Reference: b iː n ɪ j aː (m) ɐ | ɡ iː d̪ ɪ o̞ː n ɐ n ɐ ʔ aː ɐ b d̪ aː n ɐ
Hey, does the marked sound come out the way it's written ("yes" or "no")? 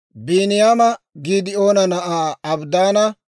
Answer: yes